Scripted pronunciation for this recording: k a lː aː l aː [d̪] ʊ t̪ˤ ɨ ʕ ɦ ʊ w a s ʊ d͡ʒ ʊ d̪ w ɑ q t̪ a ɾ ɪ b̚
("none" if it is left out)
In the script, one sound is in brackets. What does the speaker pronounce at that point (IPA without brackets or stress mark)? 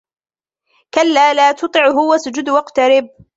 t̪